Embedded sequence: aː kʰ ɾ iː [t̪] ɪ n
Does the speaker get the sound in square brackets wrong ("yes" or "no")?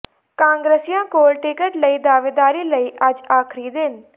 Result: yes